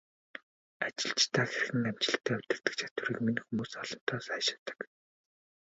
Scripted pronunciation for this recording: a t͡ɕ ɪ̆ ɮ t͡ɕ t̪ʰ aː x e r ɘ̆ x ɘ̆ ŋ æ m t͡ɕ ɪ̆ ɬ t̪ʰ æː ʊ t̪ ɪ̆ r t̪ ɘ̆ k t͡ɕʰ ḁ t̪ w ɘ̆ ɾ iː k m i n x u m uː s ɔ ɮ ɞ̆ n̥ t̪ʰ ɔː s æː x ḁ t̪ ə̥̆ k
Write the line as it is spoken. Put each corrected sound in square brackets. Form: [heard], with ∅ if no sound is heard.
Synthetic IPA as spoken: a t͡ɕ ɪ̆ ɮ t͡ɕ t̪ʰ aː x e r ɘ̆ x ɘ̆ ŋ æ m t͡ɕ ɪ̆ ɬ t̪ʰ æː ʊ t̪ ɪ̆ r t̪ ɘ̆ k t͡ɕʰ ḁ t̪ w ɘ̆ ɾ iː k m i n x u m uː s ɔ ɮ ɞ̆ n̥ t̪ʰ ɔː s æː [ʃ] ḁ t̪ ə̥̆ k